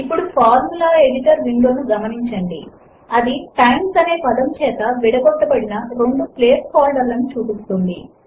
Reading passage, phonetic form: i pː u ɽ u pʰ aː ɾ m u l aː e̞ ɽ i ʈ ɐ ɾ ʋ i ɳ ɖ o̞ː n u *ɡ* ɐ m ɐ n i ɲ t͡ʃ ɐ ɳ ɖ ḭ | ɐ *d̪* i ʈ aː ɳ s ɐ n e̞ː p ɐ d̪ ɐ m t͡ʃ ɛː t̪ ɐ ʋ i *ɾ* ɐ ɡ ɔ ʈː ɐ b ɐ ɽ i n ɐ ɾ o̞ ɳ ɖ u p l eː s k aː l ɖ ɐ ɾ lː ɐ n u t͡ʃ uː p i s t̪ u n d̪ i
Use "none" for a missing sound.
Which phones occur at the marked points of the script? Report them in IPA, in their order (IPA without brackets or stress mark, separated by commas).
ɡ, d̪, ɽ